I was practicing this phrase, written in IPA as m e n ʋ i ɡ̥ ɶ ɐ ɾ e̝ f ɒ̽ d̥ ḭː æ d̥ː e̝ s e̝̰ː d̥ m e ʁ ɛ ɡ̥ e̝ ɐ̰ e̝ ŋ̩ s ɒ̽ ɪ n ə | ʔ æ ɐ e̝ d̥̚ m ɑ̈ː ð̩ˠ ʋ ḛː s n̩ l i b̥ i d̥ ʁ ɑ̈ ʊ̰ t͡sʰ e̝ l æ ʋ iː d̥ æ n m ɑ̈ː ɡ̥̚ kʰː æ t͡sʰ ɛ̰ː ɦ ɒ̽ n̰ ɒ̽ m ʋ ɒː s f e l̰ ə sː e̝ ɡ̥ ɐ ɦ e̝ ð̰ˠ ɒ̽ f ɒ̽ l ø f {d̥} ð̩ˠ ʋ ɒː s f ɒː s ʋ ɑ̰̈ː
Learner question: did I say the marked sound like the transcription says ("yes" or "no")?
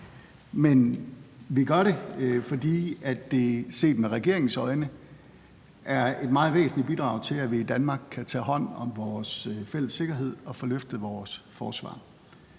yes